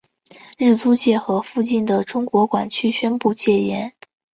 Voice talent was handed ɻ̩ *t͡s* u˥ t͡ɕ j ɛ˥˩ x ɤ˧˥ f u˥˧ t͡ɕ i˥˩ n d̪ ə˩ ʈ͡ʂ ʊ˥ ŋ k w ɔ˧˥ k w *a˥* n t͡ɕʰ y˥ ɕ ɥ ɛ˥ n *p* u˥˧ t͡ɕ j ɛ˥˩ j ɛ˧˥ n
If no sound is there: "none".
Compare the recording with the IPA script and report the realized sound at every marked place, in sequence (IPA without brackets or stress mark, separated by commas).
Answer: t͡s, a˨˩, p